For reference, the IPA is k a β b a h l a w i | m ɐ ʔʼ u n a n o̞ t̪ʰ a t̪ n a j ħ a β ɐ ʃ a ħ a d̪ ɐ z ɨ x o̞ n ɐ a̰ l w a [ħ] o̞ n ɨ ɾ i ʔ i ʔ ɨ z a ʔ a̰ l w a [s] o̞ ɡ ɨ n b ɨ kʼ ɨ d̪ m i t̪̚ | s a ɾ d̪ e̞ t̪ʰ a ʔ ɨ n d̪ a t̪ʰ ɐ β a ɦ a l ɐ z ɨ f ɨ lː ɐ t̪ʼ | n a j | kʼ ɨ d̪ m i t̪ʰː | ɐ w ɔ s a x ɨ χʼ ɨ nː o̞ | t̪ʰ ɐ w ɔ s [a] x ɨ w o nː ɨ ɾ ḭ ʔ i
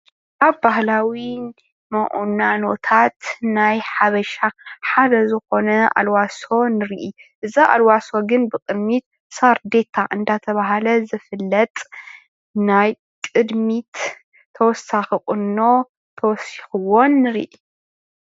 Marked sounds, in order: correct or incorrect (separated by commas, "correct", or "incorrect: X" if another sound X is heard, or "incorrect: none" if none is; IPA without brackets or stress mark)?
incorrect: s, correct, incorrect: i